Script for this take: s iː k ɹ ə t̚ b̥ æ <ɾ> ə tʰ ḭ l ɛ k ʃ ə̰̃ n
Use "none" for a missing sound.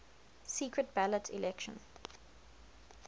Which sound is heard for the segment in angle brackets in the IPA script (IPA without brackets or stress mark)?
l